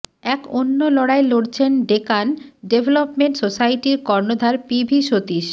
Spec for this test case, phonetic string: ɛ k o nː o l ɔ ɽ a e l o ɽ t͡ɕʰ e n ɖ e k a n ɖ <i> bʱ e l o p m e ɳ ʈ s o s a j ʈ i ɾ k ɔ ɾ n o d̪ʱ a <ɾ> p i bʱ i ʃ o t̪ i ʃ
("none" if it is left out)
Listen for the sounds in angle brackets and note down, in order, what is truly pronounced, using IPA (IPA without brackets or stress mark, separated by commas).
e, ɾ